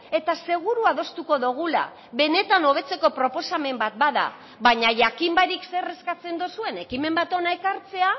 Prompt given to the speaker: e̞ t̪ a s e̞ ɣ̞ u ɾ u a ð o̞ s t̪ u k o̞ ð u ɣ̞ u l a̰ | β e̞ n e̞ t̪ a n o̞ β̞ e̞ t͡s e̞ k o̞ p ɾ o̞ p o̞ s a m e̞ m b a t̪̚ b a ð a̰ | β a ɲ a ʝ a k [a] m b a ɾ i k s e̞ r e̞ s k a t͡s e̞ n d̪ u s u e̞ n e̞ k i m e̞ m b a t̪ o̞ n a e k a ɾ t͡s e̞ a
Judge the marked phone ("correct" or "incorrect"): incorrect